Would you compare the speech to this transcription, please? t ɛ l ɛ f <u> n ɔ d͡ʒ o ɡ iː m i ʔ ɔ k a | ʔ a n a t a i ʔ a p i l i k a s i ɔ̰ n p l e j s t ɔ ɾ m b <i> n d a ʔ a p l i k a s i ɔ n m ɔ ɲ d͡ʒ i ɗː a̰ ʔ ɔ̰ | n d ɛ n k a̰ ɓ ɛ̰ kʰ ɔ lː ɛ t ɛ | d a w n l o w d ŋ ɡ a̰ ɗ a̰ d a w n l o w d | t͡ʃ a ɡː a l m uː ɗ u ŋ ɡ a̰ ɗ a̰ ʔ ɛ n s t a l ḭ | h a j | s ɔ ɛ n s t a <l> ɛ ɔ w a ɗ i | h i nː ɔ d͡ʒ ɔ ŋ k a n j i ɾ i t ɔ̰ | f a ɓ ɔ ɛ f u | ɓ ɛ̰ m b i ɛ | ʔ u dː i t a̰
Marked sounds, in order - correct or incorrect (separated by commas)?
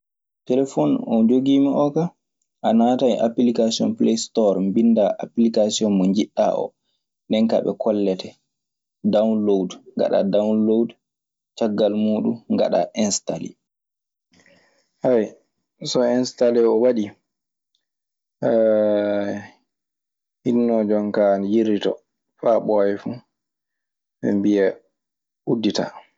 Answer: incorrect, correct, correct